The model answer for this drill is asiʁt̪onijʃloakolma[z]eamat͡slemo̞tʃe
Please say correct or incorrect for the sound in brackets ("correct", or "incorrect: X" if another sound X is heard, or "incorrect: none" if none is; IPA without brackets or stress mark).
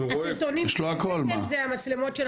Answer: correct